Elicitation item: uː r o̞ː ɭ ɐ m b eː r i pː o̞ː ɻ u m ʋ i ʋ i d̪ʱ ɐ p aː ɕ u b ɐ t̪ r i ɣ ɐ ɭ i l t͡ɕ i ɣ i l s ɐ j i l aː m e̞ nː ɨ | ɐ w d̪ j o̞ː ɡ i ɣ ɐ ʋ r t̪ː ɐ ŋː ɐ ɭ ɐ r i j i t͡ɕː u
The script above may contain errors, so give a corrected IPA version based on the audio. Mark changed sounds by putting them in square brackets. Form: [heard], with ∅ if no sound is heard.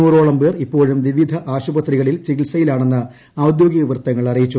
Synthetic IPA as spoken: uː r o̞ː ɭ ɐ m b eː r i pː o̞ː ɻ u m ʋ i ʋ i d̪ʱ ɐ [ʔ] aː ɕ u b ɐ t̪ r i ɣ ɐ ɭ i l t͡ɕ i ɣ i l s ɐ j i l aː [ɳ] e̞ nː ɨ | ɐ w d̪ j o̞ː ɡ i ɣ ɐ ʋ r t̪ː ɐ ŋː ɐ ɭ ɐ r i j i t͡ɕː u